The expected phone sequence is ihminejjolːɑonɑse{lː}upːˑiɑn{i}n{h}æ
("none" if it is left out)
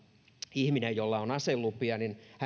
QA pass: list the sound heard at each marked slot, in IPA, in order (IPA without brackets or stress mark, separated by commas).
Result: lː, i, h